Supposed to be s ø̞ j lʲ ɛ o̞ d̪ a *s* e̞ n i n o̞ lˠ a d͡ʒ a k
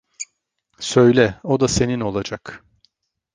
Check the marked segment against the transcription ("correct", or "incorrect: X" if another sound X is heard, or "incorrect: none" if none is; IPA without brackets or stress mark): correct